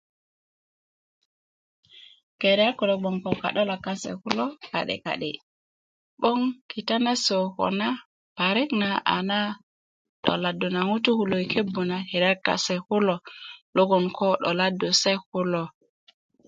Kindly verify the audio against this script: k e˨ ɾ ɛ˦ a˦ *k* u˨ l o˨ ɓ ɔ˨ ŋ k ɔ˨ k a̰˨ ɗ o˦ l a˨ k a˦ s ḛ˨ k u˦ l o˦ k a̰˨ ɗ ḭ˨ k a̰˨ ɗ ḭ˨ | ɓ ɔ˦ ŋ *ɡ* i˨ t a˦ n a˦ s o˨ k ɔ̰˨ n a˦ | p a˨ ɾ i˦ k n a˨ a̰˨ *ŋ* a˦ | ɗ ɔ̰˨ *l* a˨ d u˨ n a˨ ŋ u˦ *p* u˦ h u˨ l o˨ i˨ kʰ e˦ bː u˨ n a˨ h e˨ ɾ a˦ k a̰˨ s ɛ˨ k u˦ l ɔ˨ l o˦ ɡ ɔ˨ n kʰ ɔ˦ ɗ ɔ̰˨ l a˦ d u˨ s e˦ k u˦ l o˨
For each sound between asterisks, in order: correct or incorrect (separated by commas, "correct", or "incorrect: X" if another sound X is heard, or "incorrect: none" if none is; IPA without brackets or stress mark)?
correct, incorrect: k, incorrect: n, correct, incorrect: t